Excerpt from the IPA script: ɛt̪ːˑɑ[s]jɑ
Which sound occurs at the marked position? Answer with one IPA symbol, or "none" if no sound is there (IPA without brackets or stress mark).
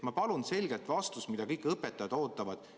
none